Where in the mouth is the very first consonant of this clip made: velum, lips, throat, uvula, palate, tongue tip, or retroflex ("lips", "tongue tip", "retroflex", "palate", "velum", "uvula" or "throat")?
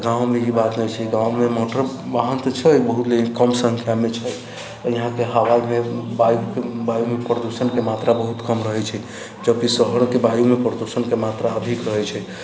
velum